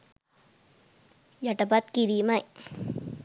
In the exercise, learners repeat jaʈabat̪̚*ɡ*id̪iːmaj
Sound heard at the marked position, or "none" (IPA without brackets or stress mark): k